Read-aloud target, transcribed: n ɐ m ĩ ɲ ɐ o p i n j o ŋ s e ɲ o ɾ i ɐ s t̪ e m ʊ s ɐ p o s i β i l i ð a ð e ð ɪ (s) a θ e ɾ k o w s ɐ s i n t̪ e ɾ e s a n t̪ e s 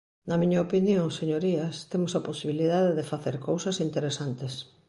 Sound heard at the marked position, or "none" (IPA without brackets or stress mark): f